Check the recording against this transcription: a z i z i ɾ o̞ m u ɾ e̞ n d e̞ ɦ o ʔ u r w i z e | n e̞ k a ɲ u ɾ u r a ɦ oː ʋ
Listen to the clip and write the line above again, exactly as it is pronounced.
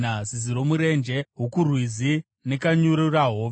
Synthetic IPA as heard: a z i z i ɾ o̞ m u ɾ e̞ n d͡ʒ e̞ ɦ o k u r w i z i | n e̞ k a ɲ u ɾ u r a ɦ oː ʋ